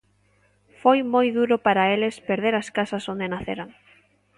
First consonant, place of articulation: labial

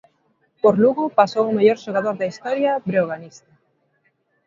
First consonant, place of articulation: labial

